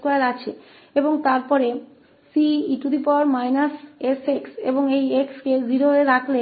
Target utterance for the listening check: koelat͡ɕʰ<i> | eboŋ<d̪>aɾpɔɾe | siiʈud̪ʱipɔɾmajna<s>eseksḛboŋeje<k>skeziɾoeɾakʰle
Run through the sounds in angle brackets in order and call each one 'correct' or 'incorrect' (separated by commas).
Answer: incorrect, incorrect, correct, correct